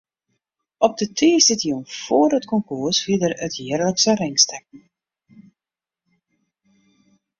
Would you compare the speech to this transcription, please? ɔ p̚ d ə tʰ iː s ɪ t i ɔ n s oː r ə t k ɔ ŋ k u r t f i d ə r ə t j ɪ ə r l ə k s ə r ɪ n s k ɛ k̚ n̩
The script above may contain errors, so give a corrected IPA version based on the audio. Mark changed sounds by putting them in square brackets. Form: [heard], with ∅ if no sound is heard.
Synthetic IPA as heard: ɔ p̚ d ə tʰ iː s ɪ t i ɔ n [f] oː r ə t k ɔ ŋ k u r [s] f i d ə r ə t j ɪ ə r l ə k s ə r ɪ [ŋ] s [t] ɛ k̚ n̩